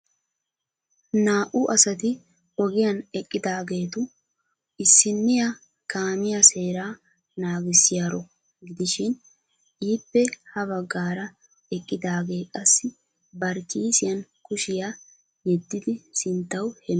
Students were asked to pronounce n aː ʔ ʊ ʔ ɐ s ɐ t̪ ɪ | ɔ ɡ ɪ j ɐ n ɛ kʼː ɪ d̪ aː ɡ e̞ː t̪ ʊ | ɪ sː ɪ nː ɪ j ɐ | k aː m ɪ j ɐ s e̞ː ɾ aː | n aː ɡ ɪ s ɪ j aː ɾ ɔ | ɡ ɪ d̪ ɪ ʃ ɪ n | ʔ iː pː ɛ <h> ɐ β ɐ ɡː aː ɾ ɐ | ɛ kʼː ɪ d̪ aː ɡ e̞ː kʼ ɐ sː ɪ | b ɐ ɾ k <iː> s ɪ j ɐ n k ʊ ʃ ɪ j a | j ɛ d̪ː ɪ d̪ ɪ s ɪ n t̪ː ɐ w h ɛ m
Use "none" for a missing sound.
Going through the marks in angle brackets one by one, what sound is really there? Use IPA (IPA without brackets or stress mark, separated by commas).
h, iː